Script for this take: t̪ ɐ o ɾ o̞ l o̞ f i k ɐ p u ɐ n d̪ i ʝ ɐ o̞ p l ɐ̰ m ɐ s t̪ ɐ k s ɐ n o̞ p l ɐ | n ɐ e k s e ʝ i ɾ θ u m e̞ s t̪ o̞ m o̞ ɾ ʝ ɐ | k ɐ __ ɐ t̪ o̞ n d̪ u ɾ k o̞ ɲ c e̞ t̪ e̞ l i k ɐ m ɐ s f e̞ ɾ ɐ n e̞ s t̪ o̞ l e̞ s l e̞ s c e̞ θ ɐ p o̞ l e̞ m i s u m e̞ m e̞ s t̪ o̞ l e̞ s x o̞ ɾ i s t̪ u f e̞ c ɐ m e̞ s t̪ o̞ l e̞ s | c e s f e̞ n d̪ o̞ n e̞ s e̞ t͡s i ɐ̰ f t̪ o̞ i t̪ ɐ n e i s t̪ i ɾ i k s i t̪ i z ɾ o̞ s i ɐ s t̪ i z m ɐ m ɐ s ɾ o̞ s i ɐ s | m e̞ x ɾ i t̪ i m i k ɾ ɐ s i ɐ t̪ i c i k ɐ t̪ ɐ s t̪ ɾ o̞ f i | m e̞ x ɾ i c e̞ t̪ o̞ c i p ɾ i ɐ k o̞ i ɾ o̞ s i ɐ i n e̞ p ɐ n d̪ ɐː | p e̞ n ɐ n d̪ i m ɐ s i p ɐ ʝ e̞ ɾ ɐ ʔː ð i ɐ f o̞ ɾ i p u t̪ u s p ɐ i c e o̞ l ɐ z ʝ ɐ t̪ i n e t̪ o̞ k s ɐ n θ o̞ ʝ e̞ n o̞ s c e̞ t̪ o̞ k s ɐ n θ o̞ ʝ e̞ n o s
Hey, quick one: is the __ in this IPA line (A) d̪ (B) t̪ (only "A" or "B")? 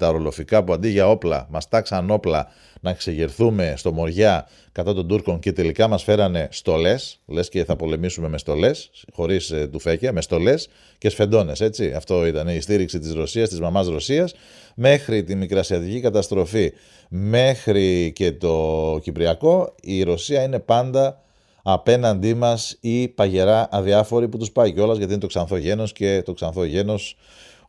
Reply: B